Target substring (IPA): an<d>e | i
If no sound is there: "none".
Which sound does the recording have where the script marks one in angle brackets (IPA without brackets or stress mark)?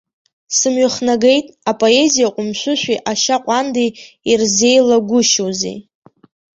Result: d